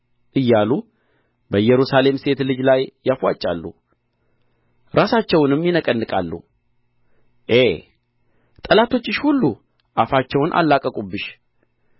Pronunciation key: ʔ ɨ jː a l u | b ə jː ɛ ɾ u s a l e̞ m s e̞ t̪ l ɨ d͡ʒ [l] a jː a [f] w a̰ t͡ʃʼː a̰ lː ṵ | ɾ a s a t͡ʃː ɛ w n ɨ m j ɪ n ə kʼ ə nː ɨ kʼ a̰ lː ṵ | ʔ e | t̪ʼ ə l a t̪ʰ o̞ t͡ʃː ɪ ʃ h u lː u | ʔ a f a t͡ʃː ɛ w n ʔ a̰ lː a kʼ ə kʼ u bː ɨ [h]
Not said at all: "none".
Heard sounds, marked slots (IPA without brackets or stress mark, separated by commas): l, f, ʃ